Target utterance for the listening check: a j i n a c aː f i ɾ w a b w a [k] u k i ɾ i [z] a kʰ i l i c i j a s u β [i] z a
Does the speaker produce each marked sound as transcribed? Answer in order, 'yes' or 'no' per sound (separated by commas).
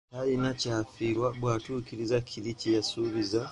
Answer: no, yes, yes